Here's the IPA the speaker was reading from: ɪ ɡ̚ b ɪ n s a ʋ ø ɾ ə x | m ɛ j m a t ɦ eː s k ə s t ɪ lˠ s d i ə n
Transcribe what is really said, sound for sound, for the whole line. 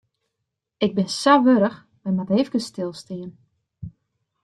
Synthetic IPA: ɪ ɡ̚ b ɪ n s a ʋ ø ɾ ə x | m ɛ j m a t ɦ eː f k ə s t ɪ lˠ s t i ə n